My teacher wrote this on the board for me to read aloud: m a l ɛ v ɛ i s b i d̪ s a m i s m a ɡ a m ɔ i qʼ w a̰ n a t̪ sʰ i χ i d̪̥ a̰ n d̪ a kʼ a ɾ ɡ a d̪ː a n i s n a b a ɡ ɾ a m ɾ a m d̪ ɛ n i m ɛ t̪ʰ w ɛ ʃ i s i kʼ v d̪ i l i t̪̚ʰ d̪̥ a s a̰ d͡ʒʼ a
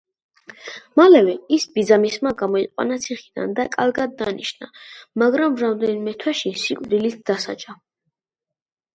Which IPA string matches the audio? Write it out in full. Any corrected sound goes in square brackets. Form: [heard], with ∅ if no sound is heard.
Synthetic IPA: m a l ɛ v ɛ i s b i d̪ [z] a m i s m a ɡ a m ɔ i qʼ w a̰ n a t̪ sʰ i χ i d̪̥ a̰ n d̪ a kʼ a ɾ ɡ a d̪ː a n i [ʃ] n a [m] a ɡ ɾ a m ɾ a m d̪ ɛ n i m ɛ t̪ʰ w ɛ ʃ i s i kʼ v d̪ i l i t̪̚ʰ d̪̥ a s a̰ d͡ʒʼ a